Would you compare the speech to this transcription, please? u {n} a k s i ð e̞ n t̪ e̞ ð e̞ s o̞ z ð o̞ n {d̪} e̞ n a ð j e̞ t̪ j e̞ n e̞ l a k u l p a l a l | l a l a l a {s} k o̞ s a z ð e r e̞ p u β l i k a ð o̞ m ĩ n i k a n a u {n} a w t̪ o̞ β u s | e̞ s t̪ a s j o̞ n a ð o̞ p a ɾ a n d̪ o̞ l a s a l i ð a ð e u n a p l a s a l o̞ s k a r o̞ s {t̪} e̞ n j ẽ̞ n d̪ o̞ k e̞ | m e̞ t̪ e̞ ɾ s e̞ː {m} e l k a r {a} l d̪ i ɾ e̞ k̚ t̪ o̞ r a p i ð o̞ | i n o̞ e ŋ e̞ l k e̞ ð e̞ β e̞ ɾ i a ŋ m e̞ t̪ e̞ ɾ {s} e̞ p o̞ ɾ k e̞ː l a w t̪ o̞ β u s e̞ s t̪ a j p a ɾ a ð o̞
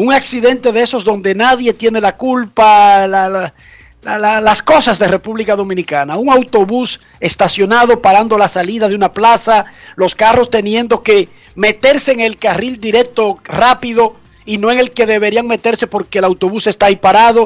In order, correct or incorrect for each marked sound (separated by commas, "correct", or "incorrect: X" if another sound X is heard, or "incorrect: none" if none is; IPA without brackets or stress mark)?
incorrect: ŋ, correct, correct, incorrect: ŋ, correct, incorrect: ŋ, incorrect: i, correct